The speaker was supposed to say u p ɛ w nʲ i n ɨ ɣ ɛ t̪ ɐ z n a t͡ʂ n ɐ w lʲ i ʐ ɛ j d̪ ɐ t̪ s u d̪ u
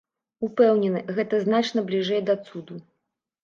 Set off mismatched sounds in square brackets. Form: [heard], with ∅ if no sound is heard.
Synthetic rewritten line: u p ɛ w nʲ [ɛ] n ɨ ɣ ɛ t̪ ɐ z n a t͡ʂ n ɐ [b] lʲ i ʐ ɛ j d̪ ɐ t̪ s u d̪ u